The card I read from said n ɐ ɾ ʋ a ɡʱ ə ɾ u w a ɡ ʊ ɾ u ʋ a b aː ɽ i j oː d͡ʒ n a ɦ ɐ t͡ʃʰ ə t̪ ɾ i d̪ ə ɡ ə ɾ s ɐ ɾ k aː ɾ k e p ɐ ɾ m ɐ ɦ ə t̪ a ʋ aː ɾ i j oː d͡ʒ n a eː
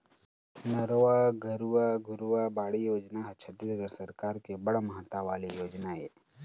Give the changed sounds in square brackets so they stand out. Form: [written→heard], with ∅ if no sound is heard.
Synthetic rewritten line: n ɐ ɾ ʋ a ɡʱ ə ɾ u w a ɡ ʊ ɾ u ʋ a b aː ɽ i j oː d͡ʒ n a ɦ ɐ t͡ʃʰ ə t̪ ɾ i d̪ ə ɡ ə ɾ s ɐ ɾ k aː ɾ k e [p→b] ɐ [ɾ→ɽ] m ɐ ɦ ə t̪ a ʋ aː [ɾ→l] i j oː d͡ʒ n a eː